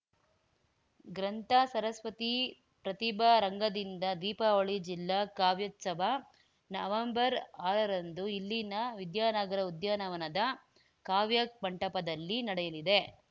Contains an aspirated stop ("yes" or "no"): no